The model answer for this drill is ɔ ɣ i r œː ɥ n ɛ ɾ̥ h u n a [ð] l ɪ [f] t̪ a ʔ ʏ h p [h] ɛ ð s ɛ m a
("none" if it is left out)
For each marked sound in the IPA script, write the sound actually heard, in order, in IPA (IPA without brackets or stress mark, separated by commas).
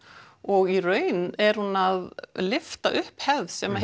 ð, f, h